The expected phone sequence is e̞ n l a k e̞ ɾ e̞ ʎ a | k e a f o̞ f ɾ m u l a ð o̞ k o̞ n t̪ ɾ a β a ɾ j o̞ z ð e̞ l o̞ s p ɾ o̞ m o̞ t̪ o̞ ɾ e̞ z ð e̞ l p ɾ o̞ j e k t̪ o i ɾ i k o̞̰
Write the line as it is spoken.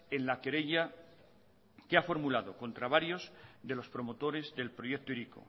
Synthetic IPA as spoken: e̞ n l a k e̞ ɾ e̞ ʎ a | k e a f o̞ ɾ m u l a ð o̞ k o̞ n t̪ ɾ a β a ɾ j o̞ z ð e̞ l o̞ s p ɾ o̞ m o̞ t̪ o̞ ɾ e̞ z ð e̞ l p ɾ o̞ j e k t̪ o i ɾ i k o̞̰